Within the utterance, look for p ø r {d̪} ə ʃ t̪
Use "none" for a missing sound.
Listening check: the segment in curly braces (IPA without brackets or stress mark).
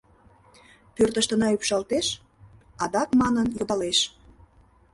t̪